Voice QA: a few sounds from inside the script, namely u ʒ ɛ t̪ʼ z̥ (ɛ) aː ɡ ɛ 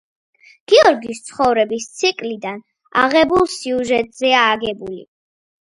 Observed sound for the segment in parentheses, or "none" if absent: ɛ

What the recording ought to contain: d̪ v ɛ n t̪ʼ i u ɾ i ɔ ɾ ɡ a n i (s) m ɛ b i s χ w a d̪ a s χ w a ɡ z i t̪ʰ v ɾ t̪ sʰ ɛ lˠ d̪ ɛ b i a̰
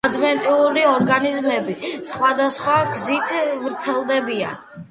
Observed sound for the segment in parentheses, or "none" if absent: z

